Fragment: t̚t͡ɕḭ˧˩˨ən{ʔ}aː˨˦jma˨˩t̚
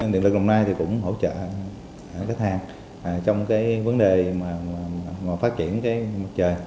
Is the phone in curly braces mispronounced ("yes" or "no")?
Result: yes